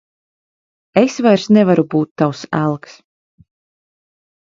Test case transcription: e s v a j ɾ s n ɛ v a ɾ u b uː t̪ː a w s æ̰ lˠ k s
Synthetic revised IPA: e s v a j ɾ s n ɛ v a ɾ u b uː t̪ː a w s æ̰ lˠ k s